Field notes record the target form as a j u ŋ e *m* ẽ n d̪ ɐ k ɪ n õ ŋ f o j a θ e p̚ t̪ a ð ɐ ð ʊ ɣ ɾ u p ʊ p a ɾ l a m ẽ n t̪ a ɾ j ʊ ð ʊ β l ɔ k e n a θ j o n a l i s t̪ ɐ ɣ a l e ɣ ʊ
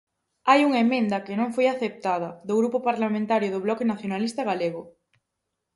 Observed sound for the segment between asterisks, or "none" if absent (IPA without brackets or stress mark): m